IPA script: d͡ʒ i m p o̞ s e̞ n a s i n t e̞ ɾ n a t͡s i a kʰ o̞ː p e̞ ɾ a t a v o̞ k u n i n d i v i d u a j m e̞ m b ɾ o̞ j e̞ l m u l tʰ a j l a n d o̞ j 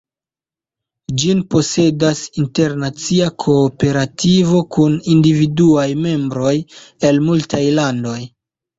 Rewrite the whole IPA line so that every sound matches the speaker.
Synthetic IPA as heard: d͡ʒ i n p o̞ s e̞ d a s i n t e̞ ɾ n a t͡s i a kʰ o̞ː p e̞ ɾ a t i v o̞ k u n i n d i v i d u a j m e̞ m b ɾ o̞ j e̞ l m u l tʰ a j l a n d o̞ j